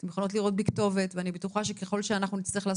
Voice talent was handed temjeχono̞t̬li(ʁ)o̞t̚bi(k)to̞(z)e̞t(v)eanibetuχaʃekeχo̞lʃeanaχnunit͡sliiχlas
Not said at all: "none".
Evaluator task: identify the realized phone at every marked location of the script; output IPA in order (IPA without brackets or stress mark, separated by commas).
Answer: ʁ, k, v, v